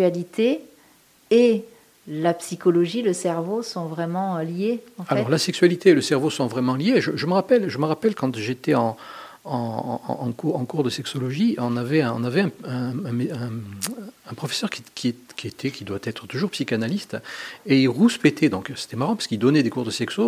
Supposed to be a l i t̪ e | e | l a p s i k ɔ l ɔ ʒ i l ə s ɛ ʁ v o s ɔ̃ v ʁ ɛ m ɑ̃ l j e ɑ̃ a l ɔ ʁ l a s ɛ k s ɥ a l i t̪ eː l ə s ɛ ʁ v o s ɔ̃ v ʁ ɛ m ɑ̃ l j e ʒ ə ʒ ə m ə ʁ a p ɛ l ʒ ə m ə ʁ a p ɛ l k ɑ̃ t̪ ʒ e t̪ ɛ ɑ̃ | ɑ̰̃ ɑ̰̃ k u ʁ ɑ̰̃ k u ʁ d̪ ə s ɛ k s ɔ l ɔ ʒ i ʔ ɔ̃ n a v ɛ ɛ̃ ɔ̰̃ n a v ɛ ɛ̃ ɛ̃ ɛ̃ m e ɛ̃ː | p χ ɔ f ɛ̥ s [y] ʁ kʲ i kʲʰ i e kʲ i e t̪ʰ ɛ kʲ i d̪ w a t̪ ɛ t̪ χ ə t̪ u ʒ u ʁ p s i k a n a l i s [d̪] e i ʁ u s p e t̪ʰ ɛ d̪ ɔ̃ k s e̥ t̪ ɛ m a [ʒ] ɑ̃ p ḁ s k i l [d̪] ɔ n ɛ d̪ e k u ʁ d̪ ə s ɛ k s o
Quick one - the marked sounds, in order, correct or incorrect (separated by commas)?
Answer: incorrect, incorrect, incorrect, correct